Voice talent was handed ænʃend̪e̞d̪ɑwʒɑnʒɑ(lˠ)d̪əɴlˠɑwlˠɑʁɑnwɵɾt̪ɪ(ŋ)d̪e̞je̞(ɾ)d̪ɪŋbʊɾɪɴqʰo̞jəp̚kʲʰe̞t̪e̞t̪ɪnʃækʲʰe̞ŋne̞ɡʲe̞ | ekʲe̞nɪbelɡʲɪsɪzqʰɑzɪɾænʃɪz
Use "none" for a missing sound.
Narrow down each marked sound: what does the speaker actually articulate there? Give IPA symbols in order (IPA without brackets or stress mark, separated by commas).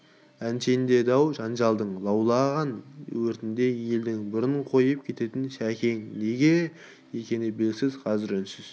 lˠ, n, l